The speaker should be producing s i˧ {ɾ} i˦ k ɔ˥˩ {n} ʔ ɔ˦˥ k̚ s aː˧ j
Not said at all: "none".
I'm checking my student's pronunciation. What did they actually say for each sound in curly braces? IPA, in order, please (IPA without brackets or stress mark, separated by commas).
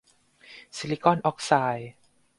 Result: l, n